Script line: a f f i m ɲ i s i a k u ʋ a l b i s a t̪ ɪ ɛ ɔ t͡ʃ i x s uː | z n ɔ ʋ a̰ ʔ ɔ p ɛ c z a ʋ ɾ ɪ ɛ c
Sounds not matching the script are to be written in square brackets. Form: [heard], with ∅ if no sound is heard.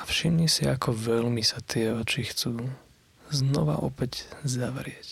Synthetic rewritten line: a f [ʃ] i m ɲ i s i a k [ɔ] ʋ [ɛ] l [m] i s a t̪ ɪ ɛ ɔ t͡ʃ i x [t͡s] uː | z n ɔ ʋ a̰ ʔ ɔ p ɛ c z a ʋ ɾ ɪ ɛ c